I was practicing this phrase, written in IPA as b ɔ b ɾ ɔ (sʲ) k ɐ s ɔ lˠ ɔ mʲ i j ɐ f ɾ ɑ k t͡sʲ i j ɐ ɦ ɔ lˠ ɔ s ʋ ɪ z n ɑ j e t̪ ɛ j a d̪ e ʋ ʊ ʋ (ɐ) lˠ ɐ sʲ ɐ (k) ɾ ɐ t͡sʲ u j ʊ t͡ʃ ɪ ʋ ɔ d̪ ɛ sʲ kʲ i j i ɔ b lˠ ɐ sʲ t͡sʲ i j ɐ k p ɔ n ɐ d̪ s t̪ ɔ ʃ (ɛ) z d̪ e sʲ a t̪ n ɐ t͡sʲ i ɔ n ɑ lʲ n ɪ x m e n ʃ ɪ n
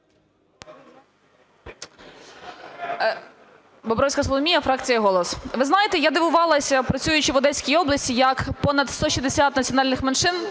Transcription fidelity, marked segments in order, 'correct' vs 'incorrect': correct, incorrect, incorrect, incorrect

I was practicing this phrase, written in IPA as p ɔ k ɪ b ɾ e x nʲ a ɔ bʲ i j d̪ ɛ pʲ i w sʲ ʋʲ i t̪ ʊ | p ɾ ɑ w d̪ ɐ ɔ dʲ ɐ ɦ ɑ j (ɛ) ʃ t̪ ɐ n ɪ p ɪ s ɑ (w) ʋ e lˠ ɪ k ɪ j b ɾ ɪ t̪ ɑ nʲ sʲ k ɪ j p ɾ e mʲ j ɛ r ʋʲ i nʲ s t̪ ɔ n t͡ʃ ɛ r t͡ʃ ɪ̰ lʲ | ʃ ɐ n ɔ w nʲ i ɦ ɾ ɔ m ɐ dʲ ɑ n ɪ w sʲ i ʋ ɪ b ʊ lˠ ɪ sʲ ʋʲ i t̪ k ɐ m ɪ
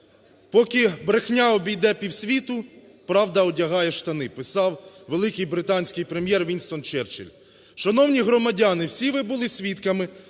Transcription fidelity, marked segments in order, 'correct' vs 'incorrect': correct, correct

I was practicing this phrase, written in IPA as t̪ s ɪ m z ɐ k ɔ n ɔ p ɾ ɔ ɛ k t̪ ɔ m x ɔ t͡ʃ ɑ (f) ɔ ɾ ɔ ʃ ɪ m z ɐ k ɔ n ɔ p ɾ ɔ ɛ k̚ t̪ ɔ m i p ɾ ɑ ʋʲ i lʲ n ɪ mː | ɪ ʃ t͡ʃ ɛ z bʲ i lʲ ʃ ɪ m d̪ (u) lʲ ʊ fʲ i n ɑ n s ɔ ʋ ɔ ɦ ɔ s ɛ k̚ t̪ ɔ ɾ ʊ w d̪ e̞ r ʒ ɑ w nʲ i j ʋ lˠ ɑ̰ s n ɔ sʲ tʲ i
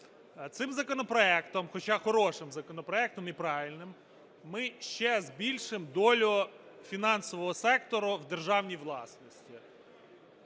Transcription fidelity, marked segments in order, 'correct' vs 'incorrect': incorrect, incorrect

